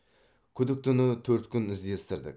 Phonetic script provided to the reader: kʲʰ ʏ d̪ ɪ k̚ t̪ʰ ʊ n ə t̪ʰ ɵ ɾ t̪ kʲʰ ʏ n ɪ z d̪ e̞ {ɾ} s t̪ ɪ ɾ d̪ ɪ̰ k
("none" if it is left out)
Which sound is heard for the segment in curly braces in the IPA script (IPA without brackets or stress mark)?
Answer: none